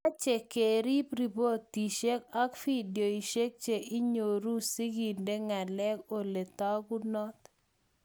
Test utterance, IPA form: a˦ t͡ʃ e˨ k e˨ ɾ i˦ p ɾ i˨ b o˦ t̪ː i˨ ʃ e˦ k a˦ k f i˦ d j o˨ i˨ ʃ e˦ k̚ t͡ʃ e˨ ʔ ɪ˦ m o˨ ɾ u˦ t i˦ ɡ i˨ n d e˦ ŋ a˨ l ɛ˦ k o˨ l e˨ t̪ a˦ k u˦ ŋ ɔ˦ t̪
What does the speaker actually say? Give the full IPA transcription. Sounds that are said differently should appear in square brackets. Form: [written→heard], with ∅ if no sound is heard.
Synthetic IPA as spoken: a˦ t͡ʃ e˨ k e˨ ɾ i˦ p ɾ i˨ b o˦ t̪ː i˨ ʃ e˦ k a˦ k f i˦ d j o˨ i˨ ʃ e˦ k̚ t͡ʃ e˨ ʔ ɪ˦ [m→ɲ] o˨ ɾ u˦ [t→s] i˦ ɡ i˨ n d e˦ ŋ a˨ l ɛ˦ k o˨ l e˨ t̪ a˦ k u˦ [ŋ→n] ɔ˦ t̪